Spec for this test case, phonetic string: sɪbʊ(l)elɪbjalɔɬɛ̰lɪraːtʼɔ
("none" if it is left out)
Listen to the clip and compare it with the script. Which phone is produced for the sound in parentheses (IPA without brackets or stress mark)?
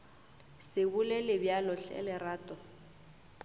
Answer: l